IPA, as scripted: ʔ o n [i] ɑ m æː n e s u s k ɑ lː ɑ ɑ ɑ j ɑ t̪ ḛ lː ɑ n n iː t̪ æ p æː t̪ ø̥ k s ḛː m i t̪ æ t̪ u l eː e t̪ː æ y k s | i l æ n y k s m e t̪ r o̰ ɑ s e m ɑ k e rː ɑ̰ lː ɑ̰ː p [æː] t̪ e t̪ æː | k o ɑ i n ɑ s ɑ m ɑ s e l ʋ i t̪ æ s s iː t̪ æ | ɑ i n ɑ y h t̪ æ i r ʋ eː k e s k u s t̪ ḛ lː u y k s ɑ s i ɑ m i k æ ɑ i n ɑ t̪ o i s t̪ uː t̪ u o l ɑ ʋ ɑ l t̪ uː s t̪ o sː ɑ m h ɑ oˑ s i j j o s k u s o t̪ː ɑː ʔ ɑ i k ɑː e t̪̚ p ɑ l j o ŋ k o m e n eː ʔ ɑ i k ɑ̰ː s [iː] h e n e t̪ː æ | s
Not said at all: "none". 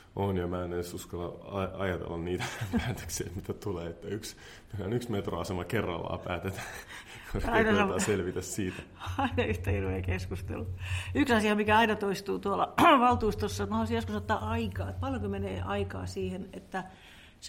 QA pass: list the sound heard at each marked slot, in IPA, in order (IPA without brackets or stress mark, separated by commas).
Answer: j, æː, iː